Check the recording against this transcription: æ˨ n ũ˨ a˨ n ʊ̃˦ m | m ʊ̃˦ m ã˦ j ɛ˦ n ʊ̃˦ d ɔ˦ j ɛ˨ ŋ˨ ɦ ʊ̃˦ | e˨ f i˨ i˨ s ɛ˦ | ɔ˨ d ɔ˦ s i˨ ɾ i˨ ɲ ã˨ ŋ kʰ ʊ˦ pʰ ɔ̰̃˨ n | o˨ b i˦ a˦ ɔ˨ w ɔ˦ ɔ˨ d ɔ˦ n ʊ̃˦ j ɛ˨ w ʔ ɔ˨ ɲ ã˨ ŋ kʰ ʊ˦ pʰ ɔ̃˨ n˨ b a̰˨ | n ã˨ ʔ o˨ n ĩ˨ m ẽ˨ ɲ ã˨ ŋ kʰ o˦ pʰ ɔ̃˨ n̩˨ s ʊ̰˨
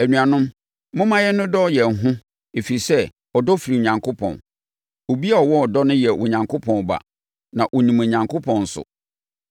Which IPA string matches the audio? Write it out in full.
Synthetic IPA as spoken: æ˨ n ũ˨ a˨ n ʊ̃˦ m | m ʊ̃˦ m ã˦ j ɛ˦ n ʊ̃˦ d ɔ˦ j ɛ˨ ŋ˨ ɦ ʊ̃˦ | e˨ f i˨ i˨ s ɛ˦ | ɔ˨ d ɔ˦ f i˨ ɾ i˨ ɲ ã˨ ŋ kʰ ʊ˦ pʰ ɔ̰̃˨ n | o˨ b i˦ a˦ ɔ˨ w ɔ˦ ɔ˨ d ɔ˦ n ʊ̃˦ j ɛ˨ w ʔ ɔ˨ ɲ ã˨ ŋ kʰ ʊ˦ pʰ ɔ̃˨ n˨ b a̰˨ | n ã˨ ʔ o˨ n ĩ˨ m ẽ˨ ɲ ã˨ ŋ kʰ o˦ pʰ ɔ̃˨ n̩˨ s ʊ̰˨

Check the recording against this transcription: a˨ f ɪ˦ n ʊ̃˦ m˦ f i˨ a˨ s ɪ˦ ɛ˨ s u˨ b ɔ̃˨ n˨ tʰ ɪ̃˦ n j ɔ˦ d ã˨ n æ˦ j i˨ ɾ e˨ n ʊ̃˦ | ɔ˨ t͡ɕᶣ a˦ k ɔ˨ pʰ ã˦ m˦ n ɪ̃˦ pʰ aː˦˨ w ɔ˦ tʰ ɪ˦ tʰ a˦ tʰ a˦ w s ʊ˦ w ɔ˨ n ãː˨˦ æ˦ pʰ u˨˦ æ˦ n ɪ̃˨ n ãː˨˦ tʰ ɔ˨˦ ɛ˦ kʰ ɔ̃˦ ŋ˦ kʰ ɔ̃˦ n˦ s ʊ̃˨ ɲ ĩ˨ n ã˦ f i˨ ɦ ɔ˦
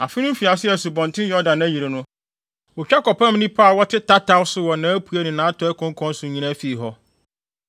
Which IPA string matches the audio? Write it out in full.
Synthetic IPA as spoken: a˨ f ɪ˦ n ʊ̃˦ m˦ f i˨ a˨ s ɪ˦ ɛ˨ s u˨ b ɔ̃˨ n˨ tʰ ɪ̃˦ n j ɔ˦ d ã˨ n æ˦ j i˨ ɾ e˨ n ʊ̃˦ | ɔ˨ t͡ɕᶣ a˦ k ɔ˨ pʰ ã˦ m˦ n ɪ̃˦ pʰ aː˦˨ w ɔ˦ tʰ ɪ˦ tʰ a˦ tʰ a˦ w s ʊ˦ w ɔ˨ n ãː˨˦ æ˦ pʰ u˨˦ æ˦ n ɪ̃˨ n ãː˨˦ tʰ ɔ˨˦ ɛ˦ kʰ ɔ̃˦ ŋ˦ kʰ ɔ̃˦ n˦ s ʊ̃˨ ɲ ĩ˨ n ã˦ f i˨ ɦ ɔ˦

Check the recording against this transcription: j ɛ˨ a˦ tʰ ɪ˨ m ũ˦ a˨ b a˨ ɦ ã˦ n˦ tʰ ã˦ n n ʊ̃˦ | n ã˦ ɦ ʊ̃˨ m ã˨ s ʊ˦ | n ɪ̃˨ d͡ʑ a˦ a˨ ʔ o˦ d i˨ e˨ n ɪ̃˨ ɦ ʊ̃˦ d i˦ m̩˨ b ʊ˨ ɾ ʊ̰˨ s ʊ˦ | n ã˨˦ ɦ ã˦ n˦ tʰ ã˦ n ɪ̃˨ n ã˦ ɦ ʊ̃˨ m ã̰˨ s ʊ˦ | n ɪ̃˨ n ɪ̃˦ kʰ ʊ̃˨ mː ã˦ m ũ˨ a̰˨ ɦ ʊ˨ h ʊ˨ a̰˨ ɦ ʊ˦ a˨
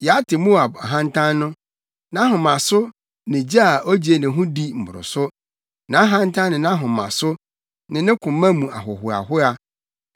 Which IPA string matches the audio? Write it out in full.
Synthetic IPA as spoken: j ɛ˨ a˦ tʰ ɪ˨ m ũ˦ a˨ b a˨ ɦ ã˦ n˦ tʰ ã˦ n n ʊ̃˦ | n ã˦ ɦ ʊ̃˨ m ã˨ s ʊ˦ | n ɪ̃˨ d͡ʑ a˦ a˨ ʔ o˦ d͡ʑ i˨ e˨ n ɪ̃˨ ɦ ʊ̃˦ d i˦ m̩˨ b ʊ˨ ɾ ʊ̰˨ s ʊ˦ | n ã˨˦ ɦ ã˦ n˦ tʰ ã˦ n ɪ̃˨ n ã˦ ɦ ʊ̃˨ m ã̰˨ s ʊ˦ | n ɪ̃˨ n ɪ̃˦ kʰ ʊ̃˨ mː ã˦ m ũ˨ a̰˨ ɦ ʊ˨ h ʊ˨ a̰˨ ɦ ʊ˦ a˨

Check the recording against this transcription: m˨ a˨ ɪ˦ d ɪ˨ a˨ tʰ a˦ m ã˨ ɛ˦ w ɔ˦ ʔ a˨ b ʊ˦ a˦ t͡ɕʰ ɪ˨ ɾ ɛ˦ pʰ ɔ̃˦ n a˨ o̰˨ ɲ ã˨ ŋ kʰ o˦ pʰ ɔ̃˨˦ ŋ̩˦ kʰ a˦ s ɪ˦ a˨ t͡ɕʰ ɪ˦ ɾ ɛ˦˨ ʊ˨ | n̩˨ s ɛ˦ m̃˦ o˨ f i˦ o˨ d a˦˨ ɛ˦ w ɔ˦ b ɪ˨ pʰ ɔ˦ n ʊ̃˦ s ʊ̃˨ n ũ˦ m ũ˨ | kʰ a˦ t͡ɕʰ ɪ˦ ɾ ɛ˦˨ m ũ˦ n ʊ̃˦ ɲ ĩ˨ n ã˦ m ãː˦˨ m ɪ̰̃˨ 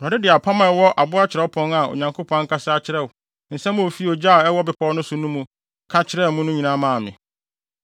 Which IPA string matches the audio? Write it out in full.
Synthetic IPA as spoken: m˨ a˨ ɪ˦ d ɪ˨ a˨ pʰ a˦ m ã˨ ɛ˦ w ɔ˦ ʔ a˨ b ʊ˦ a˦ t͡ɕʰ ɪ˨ ɾ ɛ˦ pʰ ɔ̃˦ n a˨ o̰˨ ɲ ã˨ ŋ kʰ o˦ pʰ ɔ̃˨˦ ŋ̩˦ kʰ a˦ s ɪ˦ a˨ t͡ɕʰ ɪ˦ ɾ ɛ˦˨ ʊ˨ | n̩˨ s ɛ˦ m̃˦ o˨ f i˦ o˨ d͡ʑ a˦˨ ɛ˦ w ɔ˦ b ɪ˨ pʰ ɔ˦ n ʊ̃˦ s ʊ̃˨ n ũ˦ m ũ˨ | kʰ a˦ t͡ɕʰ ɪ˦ ɾ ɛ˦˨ m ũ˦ n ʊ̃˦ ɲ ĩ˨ n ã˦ m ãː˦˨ m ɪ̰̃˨

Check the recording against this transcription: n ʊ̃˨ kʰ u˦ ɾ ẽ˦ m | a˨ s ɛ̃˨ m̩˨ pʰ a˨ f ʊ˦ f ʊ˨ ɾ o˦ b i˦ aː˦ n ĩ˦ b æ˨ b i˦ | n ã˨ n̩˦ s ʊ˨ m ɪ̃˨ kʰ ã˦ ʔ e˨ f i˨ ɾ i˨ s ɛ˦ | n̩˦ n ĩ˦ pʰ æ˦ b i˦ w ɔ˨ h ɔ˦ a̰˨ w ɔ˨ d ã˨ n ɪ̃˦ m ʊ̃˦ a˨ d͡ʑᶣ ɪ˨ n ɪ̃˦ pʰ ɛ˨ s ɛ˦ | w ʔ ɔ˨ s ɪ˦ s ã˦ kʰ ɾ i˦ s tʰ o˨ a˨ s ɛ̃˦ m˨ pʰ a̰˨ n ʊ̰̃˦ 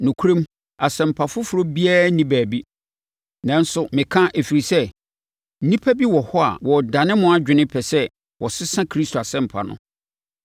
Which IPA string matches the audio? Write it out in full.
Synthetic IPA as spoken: n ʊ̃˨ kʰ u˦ ɾ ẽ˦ m | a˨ s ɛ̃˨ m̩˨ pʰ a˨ f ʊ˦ f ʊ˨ ɾ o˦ b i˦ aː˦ n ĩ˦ b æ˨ b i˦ | n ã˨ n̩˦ s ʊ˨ m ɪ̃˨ kʰ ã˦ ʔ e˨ f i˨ ɾ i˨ s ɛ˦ | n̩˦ n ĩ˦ pʰ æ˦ b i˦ w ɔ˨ h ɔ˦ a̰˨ w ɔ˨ d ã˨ n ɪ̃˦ m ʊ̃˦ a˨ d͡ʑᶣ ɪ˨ n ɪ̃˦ pʰ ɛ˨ s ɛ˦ | w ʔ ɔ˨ s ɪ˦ s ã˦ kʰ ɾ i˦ s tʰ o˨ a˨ s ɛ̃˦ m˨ pʰ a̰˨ n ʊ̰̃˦

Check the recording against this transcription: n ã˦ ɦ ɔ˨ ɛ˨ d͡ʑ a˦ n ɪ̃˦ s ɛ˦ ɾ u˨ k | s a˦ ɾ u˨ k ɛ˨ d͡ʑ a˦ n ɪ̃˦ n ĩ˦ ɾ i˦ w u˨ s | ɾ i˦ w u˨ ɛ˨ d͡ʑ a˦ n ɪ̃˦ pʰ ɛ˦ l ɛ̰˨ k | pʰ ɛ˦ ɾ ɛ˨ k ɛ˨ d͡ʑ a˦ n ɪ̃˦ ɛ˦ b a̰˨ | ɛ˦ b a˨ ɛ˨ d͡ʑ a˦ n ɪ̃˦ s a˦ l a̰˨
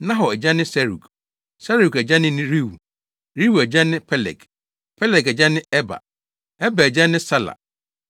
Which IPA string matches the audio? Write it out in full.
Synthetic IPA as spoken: n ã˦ ɦ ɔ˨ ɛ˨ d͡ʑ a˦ n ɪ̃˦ s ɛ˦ ɾ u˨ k | s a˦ ɾ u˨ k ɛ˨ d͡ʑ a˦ n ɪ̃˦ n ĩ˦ ɾ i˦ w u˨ | ɾ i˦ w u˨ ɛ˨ d͡ʑ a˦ n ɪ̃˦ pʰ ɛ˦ l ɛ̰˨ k | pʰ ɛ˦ l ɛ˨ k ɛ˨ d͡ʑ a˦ n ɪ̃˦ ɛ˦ b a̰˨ | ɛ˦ b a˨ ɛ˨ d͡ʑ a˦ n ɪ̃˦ s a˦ l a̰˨

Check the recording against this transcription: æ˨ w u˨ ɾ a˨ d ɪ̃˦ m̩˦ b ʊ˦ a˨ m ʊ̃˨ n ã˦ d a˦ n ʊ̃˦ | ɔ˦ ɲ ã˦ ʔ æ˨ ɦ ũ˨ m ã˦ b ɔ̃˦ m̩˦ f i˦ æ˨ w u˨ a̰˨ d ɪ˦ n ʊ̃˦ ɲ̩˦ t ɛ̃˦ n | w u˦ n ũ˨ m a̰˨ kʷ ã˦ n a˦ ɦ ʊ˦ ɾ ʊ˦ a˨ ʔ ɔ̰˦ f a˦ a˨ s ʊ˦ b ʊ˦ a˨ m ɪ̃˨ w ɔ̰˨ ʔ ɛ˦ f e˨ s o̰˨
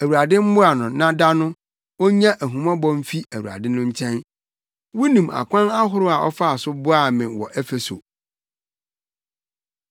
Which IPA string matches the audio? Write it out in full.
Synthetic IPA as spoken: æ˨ w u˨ ɾ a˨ d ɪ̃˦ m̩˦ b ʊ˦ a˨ n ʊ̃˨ n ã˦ d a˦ n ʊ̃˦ | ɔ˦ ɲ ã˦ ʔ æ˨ ɦ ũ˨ m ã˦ b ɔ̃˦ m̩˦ f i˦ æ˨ w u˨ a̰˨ d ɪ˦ n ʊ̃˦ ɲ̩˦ t͡ɕʰ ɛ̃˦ n | w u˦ n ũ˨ m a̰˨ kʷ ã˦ n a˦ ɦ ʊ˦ ɾ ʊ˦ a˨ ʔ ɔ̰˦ f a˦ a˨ s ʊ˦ b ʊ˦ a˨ m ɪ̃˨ w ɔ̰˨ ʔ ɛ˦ f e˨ s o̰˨

